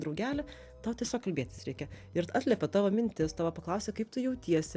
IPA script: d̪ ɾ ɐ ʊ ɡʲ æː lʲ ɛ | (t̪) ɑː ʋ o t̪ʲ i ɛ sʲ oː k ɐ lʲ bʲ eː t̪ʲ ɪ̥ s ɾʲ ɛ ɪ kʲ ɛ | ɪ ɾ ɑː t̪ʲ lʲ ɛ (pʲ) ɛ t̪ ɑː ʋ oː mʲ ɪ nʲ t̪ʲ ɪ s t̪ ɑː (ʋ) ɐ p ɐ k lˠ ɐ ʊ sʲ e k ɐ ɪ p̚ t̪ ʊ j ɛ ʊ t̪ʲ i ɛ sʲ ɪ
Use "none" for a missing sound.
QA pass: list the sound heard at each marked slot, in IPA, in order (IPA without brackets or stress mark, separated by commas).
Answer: t̪, pʲ, ʋ